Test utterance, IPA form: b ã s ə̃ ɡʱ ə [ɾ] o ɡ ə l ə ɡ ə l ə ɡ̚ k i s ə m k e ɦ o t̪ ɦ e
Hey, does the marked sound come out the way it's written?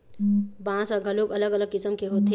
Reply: no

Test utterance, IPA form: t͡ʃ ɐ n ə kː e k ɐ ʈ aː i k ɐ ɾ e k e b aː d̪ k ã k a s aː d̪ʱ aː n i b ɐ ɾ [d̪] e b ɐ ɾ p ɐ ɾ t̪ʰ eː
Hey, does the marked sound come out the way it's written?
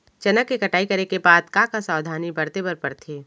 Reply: no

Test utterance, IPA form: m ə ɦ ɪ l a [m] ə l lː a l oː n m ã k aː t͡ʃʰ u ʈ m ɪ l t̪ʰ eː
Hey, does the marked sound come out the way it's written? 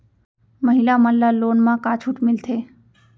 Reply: yes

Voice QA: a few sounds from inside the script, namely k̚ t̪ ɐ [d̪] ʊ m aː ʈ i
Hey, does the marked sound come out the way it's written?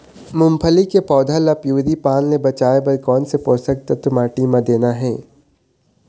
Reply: no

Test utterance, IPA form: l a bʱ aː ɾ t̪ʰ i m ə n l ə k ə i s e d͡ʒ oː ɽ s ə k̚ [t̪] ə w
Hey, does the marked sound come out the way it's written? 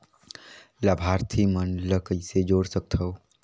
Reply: no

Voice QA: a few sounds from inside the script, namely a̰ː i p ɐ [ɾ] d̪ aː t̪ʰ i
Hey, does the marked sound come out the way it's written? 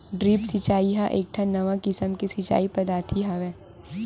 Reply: no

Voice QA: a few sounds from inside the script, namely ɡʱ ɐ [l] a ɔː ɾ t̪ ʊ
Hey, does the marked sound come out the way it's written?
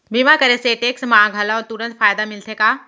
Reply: yes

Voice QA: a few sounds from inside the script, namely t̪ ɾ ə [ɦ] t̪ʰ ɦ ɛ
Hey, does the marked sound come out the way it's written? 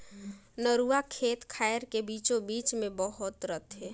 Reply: no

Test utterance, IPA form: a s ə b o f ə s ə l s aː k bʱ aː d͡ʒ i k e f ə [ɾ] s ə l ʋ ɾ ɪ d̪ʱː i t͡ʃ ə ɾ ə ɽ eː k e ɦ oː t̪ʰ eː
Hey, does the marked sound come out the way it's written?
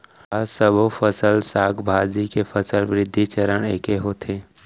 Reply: no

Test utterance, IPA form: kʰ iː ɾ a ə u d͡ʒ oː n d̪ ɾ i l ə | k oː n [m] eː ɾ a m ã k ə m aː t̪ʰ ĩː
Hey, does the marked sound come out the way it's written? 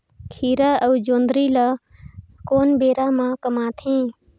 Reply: no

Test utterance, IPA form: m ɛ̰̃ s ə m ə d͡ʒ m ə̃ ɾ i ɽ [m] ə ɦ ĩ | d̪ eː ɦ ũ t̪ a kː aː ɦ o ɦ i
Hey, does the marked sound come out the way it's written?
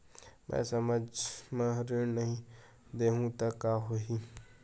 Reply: no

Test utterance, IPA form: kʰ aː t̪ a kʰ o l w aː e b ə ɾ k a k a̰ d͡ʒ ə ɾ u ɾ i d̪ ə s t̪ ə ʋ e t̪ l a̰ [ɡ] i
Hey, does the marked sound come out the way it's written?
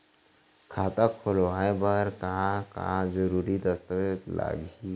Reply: yes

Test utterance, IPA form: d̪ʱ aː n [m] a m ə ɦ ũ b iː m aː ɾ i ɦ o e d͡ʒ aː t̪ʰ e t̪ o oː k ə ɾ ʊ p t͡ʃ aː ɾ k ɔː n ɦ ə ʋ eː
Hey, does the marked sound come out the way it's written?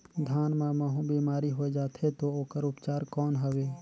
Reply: yes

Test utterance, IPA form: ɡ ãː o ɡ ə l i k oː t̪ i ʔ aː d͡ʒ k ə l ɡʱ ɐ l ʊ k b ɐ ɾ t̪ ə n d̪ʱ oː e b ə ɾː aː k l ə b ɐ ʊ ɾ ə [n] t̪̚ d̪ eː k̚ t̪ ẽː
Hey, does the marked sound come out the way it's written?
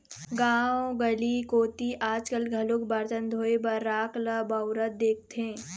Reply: no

